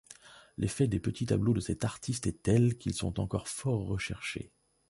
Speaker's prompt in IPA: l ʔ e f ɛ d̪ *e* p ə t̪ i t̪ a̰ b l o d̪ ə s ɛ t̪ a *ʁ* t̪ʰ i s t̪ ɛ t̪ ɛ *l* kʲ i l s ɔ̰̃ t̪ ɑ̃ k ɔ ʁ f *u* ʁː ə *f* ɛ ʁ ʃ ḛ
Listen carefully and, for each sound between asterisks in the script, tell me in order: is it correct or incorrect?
correct, correct, correct, incorrect: ɔ, incorrect: ʃ

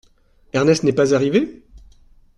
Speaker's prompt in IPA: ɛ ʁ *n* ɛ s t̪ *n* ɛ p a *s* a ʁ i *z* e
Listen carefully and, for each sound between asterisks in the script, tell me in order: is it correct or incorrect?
correct, correct, incorrect: z, incorrect: v

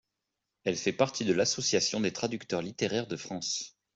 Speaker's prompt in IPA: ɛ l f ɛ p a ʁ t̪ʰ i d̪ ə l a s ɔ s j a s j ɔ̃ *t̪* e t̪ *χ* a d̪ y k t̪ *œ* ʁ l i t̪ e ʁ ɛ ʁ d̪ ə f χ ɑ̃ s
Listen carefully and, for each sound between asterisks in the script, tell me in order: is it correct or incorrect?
incorrect: d̪, correct, correct

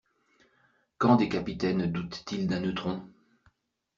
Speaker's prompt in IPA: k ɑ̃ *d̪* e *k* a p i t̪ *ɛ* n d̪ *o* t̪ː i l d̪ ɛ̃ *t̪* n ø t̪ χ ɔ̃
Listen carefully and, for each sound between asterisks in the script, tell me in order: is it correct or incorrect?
correct, correct, correct, incorrect: u, incorrect: none

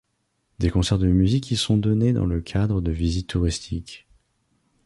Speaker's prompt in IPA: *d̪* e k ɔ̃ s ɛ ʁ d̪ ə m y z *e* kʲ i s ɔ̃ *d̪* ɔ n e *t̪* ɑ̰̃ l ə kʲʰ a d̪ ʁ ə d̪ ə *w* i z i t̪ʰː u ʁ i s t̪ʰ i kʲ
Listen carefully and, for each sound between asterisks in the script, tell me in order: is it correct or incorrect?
correct, incorrect: i, correct, incorrect: d̪, incorrect: v

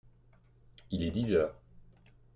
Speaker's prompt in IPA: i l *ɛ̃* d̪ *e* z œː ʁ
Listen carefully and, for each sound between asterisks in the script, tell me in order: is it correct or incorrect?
incorrect: ɛ, incorrect: i

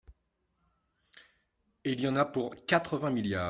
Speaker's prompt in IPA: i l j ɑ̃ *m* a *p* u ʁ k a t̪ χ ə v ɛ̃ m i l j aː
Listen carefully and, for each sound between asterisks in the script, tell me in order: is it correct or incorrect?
incorrect: n, correct

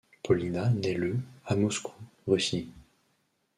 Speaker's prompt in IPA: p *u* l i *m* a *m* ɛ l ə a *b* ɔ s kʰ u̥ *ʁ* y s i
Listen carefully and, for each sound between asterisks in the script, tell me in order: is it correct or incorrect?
incorrect: ɔ, incorrect: n, incorrect: n, incorrect: m, correct

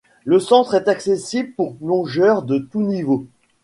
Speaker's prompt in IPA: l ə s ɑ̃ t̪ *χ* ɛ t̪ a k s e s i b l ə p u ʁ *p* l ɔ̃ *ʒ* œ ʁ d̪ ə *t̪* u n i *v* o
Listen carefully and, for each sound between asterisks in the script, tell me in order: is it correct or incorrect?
correct, correct, correct, correct, correct

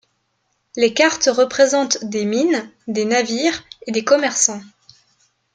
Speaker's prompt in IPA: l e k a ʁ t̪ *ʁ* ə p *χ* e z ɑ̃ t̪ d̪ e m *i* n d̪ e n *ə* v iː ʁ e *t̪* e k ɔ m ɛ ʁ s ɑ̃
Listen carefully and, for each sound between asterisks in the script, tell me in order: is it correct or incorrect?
correct, correct, correct, incorrect: a, incorrect: d̪

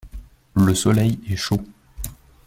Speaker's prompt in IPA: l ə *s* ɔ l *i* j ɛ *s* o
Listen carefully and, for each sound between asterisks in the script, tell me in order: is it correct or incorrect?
correct, incorrect: ɛ, incorrect: ʃ

